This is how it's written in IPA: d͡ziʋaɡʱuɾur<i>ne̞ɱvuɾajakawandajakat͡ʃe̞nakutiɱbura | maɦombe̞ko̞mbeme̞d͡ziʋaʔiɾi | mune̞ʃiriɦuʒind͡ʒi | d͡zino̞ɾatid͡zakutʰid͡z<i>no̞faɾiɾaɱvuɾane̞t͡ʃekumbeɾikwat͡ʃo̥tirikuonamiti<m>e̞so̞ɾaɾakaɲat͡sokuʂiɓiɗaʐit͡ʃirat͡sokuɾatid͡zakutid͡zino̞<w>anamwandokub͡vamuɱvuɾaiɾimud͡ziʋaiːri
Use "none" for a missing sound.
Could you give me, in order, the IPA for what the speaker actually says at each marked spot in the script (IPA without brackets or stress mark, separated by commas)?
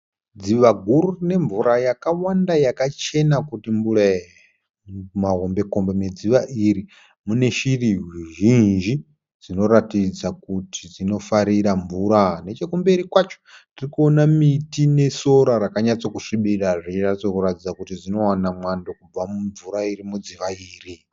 i, i, n, w